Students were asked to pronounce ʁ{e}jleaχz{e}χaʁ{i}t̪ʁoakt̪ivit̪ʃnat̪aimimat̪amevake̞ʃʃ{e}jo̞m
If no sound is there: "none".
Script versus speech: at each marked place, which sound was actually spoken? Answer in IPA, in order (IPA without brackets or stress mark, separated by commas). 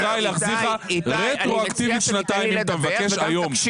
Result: a, i, e, a